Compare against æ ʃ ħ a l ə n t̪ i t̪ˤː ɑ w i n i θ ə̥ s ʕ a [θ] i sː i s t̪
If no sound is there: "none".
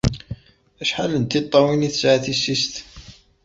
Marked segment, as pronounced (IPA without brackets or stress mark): θ